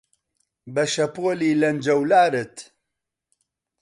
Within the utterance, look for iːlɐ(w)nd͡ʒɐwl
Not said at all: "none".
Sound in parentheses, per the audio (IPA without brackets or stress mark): none